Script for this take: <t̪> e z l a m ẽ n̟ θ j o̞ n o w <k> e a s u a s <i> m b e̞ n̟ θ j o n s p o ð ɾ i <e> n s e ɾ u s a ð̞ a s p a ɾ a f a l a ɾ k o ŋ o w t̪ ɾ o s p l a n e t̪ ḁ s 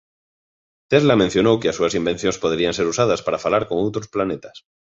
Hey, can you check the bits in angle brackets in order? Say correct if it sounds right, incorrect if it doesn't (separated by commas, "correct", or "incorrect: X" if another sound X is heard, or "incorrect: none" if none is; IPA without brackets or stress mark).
correct, correct, correct, incorrect: a